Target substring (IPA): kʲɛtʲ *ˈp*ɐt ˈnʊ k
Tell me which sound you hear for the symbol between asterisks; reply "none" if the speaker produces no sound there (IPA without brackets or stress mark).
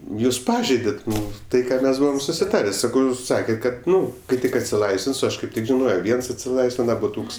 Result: k